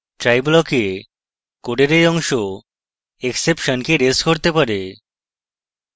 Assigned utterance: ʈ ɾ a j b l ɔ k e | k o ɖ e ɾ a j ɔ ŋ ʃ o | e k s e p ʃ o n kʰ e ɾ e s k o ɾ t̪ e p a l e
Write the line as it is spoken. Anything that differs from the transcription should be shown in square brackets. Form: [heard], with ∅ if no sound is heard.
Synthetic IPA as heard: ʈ ɾ a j b l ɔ k e | k o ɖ e ɾ [e] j ɔ ŋ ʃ o | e k s e p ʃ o n [k] e ɾ e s k o ɾ t̪ e p a [ɾ] e